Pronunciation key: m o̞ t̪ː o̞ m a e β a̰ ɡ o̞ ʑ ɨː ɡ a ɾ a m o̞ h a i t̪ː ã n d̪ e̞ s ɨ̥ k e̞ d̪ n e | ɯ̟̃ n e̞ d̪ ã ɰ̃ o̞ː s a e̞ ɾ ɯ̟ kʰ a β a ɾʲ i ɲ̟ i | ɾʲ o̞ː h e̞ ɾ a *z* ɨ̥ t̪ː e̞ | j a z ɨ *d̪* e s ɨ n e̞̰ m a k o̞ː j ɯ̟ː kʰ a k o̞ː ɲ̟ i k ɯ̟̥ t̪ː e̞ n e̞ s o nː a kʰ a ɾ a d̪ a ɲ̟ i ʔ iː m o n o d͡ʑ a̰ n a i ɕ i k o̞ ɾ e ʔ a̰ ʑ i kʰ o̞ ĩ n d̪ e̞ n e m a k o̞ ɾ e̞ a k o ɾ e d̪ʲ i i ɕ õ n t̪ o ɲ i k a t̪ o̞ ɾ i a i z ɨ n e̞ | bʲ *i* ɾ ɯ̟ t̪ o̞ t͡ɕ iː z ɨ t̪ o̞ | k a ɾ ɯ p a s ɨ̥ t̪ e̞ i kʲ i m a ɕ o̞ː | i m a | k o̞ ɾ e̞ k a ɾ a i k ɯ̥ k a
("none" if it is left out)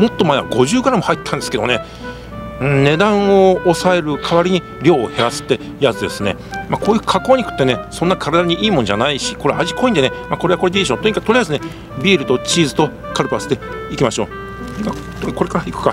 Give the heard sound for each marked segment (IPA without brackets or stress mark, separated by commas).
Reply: s, d̪, iː